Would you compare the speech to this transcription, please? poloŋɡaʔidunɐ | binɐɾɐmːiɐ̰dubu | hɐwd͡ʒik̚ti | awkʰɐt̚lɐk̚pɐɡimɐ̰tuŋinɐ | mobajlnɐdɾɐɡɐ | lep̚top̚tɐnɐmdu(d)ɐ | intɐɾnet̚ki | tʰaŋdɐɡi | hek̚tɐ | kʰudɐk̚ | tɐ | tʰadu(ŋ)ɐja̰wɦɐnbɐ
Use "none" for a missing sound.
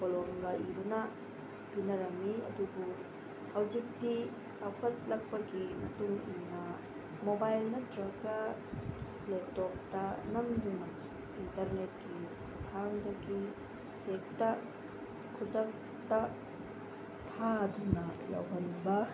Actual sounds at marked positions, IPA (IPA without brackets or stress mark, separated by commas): n, n